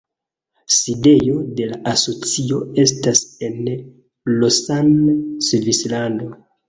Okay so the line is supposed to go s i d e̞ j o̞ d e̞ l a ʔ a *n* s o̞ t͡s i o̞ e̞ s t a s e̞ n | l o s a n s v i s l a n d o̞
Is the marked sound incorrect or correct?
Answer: incorrect: none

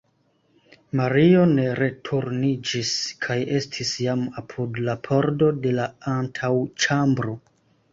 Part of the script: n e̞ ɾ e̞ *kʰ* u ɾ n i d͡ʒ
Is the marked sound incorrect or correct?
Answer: incorrect: tʰ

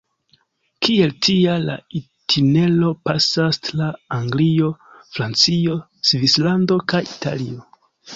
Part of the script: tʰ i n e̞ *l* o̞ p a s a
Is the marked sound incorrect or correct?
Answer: correct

